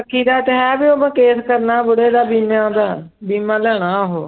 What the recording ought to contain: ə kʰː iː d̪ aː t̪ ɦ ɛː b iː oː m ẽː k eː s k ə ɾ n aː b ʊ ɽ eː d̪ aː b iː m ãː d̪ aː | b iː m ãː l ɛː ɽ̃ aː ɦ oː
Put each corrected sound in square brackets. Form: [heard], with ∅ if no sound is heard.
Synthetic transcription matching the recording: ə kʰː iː d̪ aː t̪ ɦ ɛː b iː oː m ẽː k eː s k ə ɾ n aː b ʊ ɽ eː d̪ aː b iː m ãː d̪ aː | b iː m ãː l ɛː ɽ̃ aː ɦ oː